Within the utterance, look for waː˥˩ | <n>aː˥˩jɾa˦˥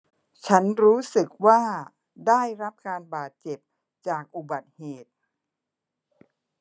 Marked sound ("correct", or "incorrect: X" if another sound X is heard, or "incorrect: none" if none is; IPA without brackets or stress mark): incorrect: d